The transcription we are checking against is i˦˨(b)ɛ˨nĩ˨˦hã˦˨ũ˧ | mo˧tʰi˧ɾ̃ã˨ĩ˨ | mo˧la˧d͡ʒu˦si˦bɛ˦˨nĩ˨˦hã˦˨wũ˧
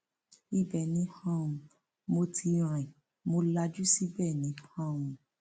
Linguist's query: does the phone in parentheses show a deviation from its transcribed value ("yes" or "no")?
no